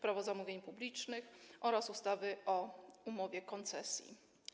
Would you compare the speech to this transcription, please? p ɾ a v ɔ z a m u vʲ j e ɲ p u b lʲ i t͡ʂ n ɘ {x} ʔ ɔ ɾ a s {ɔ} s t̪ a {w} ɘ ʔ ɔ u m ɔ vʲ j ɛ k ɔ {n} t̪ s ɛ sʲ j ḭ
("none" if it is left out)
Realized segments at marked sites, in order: x, u, v, n

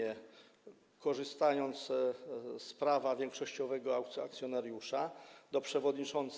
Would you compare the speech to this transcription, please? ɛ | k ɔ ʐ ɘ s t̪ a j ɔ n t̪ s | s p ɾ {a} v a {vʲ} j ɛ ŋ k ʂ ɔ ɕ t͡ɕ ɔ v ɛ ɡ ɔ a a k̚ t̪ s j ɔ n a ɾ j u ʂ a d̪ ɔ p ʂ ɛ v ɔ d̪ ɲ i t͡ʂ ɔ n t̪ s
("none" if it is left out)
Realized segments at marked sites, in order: a, vʲ

